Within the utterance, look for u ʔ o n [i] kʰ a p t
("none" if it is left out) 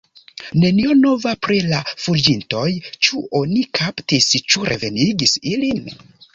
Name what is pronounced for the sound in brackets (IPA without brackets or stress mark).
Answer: i